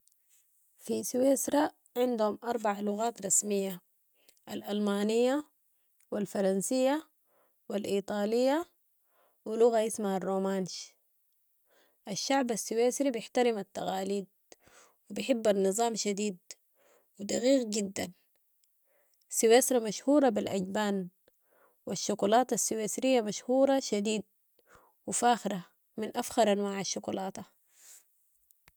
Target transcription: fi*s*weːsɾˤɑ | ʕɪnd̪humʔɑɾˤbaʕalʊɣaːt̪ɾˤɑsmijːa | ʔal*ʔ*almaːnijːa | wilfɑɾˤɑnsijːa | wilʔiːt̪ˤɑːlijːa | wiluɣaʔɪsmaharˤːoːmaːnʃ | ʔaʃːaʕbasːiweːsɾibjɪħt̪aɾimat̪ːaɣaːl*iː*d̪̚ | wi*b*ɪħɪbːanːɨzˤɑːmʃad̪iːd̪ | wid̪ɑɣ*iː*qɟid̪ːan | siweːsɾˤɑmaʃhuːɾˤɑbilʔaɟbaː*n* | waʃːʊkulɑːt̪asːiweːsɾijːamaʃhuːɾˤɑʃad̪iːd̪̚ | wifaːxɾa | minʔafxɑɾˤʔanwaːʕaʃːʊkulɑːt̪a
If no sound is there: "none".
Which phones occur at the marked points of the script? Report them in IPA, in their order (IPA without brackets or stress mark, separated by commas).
s, ʔ, iː, b, iː, n